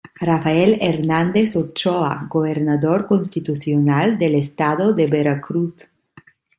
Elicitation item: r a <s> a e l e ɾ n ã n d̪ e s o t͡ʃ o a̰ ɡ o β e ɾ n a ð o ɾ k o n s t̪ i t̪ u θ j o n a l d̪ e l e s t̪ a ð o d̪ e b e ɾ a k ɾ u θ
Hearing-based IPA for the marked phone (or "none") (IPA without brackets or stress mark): f